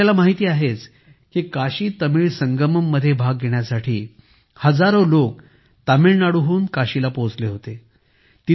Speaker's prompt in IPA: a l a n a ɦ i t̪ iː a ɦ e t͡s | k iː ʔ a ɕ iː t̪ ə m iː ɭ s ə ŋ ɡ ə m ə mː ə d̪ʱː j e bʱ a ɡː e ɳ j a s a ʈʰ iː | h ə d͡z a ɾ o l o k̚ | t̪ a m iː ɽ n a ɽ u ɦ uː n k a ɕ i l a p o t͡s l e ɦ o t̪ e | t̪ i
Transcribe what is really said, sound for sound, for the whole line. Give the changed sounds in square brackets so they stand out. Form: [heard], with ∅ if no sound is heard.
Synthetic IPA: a l a [m] a ɦ i t̪ iː a ɦ e t͡s | k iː [k] a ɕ iː t̪ ə m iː ɭ s ə ŋ ɡ ə m ə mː ə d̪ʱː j e bʱ a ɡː e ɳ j a s a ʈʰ iː | h ə d͡z a ɾ o l o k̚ | t̪ a m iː [ɭ] n a ɽ u ɦ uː n k a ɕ i l a p o t͡s l e ɦ o t̪ e | t̪ i